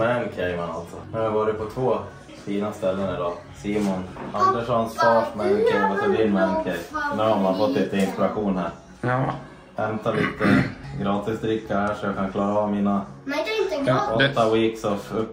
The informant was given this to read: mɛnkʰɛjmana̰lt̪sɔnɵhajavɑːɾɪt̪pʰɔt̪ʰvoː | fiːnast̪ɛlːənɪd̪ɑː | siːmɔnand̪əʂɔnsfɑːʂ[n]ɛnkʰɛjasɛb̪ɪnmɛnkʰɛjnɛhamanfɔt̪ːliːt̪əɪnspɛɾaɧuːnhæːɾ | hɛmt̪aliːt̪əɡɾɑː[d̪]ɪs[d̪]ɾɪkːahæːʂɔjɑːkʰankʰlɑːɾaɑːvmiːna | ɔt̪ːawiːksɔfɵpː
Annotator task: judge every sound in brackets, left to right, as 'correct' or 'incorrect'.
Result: incorrect: m, incorrect: t̪, correct

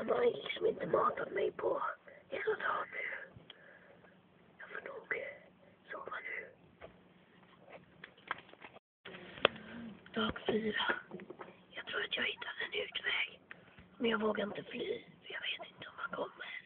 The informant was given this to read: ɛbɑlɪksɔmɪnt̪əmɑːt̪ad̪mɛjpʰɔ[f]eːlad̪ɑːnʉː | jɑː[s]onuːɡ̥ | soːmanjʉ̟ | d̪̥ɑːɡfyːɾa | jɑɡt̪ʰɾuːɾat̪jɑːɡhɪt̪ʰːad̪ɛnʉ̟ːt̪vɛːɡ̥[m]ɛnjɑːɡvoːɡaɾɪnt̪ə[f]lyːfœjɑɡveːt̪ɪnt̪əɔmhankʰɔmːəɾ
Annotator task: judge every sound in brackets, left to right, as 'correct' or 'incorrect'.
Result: incorrect: h, incorrect: f, correct, correct

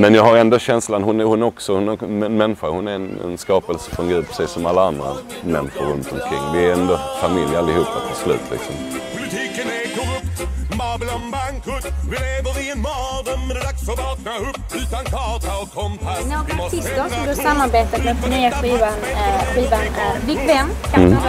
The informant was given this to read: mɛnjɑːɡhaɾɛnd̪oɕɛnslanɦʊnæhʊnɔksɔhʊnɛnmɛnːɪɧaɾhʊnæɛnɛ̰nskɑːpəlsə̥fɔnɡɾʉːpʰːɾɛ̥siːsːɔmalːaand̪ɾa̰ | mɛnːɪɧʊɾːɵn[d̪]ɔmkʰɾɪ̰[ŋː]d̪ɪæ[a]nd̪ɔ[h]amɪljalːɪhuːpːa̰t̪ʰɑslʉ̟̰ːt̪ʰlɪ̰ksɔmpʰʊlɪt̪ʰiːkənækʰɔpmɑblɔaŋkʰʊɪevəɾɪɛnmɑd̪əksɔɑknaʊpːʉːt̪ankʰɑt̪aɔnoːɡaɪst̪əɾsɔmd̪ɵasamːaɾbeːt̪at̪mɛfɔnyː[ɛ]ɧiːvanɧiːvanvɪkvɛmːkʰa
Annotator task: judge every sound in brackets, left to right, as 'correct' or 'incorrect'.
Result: incorrect: t̪, correct, incorrect: ɛ, incorrect: f, incorrect: a

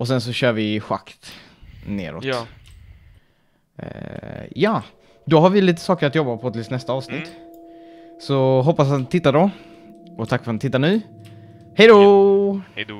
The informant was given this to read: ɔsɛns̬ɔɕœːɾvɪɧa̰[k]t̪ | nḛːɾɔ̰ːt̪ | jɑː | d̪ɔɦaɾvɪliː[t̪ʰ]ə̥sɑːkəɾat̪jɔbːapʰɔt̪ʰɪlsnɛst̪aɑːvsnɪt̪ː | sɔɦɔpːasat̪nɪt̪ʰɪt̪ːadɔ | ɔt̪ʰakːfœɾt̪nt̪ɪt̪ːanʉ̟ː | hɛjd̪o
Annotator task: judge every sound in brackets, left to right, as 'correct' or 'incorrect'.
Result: correct, incorrect: t̪

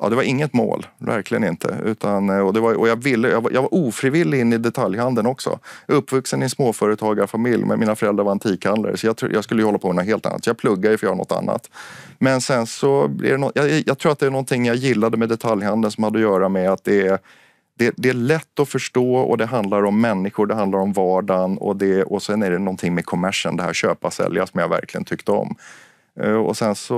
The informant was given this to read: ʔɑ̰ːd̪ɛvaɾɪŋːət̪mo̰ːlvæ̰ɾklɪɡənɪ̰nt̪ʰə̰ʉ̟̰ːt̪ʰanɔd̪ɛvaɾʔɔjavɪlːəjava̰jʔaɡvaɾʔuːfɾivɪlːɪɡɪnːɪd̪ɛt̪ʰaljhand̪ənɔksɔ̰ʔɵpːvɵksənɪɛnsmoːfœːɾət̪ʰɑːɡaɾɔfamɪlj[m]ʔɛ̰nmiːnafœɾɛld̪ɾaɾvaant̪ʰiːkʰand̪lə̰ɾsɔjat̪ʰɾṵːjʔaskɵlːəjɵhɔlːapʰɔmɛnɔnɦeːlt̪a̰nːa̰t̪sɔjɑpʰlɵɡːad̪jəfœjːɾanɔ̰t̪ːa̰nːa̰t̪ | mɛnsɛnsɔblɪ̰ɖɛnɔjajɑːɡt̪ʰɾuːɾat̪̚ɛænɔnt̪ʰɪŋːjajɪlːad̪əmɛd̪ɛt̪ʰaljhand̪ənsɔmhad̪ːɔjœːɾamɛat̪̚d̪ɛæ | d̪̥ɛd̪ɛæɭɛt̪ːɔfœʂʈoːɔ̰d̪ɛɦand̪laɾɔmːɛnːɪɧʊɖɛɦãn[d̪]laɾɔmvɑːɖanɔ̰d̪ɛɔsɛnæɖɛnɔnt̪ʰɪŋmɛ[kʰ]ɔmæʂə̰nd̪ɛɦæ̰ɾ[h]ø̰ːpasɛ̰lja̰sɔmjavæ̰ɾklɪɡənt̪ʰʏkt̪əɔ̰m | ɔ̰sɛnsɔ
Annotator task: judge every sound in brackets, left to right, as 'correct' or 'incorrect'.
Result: correct, correct, correct, incorrect: ɕ

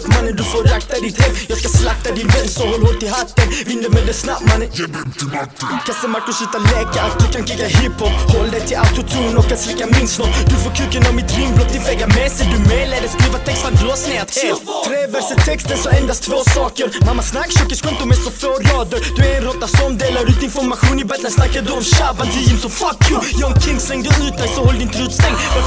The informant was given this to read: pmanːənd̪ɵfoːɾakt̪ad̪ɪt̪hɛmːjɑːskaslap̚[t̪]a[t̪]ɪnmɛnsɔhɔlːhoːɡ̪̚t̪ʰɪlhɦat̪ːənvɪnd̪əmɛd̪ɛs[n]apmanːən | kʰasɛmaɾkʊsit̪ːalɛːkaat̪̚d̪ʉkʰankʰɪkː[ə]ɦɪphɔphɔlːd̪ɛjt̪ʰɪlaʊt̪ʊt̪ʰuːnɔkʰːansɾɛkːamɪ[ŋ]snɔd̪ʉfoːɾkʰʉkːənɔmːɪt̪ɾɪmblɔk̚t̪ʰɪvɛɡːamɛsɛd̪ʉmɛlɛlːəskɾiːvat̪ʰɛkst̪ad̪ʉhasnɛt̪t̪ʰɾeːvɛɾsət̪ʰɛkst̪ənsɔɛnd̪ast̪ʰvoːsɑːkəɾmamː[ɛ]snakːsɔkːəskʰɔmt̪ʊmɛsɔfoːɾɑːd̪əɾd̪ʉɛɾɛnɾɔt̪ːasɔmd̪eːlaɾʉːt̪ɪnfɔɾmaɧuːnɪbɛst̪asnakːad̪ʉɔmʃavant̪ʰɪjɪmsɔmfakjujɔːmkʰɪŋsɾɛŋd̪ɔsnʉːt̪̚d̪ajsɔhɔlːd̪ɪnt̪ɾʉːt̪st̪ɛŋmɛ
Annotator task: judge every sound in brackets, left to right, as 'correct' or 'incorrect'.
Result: correct, incorrect: d̪, correct, incorrect: a, incorrect: n, incorrect: a

